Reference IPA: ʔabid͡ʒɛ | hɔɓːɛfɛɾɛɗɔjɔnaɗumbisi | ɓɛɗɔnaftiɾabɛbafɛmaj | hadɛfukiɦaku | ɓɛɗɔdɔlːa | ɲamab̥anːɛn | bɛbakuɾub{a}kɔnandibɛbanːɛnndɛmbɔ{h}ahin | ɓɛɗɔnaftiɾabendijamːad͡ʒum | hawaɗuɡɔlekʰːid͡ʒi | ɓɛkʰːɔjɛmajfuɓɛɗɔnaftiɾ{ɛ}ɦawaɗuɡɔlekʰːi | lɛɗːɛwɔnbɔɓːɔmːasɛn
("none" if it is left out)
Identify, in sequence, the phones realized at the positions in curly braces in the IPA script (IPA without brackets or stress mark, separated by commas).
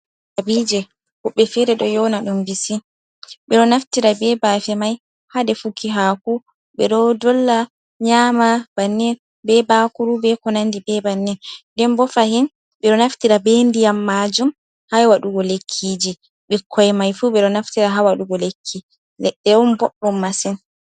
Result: ɛ, f, a